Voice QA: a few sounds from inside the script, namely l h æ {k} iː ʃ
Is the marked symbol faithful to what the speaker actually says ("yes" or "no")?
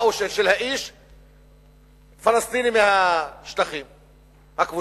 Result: no